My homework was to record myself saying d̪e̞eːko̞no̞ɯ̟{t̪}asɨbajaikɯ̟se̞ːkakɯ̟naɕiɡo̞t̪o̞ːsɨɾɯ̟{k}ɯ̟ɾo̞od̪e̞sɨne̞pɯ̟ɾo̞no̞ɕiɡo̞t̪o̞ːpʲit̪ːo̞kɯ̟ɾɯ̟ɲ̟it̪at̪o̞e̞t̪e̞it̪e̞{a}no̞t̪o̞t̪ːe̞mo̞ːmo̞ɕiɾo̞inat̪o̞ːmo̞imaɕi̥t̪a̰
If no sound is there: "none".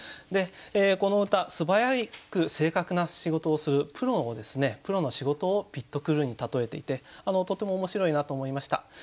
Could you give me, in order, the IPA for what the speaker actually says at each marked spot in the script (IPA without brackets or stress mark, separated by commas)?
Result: t̪, p, a